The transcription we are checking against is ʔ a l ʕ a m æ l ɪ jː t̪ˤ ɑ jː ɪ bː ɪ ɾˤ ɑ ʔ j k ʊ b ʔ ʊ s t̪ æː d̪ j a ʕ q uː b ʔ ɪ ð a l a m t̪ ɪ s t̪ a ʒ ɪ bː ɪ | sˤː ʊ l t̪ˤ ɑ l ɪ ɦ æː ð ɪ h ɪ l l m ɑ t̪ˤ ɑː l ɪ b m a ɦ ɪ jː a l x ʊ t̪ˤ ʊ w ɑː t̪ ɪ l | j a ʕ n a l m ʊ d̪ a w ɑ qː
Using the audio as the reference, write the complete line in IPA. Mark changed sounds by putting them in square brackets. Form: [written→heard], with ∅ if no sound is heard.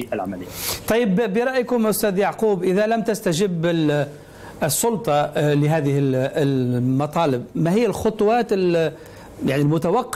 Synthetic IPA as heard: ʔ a l ʕ a m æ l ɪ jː t̪ˤ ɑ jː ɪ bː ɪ ɾˤ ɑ ʔ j k ʊ [b→m] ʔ ʊ s t̪ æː d̪ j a ʕ q uː b ʔ ɪ ð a l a m t̪ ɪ s t̪ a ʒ ɪ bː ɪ | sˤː ʊ l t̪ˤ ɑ l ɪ ɦ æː ð ɪ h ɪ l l m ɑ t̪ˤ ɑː l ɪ b m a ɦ ɪ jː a l x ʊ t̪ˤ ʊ w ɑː t̪ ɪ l | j a ʕ n [a→i] l m ʊ [d̪→t̪] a w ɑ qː